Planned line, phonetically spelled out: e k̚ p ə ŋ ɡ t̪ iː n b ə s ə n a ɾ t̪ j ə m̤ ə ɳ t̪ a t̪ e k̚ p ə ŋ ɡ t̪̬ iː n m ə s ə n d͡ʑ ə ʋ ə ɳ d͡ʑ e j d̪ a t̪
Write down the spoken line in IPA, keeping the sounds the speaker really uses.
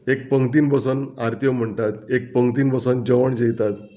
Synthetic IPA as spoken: e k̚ p ə ŋ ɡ t̪ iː n b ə s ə n a ɾ t̪ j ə m̤ ə ɳ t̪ a t̪ e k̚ p ə ŋ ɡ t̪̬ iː n b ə s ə n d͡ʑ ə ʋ ə ɳ d͡ʑ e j t̪ a t̪